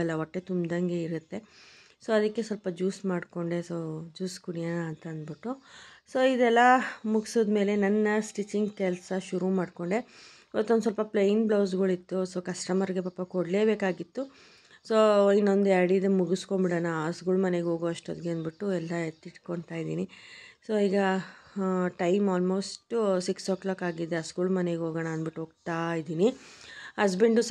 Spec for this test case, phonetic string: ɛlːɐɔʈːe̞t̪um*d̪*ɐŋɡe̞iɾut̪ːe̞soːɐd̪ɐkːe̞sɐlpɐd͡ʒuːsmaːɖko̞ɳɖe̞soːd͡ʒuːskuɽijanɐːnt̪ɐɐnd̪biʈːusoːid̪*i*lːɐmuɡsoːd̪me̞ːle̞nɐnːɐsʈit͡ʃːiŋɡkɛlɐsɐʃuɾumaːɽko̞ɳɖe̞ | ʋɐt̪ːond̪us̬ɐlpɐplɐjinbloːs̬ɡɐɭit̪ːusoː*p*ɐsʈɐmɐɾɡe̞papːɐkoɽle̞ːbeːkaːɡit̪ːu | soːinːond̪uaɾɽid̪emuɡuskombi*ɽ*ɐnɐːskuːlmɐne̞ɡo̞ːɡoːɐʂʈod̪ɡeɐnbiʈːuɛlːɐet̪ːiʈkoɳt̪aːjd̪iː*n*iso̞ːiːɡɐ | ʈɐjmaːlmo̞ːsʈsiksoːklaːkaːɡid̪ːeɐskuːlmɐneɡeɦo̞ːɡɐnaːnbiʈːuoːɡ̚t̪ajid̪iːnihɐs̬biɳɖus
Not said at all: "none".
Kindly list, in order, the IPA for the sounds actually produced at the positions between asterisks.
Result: d̪, ɛ, k, ɽ, n

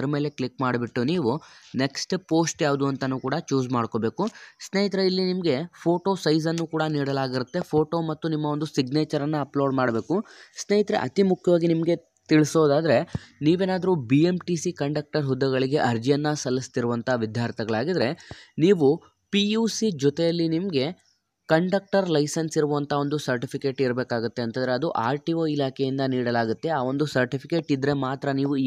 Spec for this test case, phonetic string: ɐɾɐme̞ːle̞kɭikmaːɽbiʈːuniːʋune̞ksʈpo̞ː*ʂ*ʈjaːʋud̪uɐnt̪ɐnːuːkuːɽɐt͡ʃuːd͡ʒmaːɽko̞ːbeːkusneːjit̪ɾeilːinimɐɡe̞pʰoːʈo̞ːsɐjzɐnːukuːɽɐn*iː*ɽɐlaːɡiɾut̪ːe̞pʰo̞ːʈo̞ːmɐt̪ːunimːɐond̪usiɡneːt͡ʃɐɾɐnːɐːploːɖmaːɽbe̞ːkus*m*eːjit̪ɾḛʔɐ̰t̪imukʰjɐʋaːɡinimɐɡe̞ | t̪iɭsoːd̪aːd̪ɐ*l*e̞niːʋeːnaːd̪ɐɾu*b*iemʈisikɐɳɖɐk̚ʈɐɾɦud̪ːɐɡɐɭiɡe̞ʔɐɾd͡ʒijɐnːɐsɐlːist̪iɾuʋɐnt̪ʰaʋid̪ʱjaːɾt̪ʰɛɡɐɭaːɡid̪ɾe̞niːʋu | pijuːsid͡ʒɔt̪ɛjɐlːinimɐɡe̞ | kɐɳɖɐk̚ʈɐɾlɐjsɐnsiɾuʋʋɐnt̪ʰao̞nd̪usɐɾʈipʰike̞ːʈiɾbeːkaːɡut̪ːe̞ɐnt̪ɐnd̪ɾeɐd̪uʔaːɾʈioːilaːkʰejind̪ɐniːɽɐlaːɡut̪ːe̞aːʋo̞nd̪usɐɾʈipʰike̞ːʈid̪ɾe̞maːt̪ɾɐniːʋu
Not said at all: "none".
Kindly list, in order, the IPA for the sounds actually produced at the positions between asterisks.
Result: s, iː, n, ɾ, b

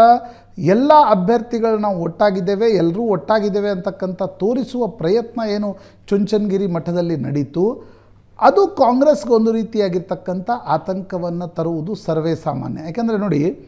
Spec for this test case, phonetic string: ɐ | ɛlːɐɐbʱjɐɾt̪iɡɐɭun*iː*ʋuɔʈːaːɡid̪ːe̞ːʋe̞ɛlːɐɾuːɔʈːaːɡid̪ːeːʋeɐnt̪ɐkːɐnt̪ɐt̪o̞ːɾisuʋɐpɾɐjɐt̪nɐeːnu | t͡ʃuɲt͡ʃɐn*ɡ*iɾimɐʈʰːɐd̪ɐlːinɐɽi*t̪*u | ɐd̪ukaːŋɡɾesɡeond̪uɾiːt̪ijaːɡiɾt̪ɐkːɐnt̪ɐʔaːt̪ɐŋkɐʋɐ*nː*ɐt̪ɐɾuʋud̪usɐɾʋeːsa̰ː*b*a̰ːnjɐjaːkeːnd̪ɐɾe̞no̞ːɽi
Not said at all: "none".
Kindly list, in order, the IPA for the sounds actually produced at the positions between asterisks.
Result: aː, ɡ, t̪, nː, m

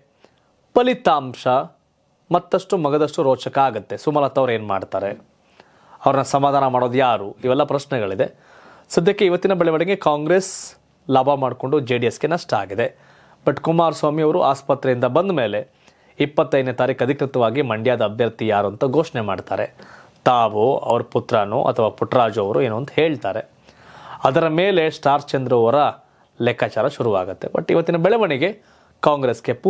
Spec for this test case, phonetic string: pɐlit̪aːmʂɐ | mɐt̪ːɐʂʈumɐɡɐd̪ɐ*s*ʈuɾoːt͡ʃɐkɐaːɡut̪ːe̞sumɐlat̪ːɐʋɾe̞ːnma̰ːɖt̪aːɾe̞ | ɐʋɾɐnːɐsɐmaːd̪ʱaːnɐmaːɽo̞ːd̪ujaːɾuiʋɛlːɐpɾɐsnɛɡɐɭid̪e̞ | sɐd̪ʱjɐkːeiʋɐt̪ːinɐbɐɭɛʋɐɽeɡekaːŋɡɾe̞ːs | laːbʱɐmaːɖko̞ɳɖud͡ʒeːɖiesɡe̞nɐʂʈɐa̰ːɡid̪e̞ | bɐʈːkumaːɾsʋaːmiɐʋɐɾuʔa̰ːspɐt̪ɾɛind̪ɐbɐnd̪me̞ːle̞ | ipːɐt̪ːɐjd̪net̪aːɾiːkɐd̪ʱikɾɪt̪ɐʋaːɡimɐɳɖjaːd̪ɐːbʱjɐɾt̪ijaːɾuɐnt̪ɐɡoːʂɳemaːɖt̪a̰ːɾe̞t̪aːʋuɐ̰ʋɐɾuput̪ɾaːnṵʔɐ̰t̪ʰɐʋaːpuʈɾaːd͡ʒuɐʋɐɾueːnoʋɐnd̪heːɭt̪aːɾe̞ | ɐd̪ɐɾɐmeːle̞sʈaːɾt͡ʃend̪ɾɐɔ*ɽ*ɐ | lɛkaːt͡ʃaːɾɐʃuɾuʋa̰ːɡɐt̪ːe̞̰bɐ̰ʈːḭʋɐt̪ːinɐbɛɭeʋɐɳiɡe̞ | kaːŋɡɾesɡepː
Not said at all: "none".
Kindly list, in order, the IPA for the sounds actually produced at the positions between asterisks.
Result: ʂ, ɾ

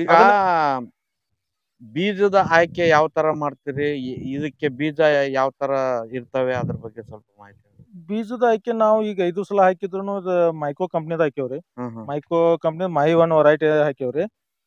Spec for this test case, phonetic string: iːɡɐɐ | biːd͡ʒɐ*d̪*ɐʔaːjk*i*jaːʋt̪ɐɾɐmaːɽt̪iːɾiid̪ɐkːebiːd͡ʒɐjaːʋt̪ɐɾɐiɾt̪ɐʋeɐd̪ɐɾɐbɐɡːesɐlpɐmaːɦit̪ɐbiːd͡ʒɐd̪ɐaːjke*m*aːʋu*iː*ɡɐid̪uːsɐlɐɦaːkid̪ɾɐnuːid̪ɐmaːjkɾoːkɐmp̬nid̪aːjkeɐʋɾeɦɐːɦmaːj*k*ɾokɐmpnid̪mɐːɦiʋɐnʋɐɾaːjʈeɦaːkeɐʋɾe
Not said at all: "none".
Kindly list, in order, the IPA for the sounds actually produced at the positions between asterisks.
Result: d̪, e, n, iː, k

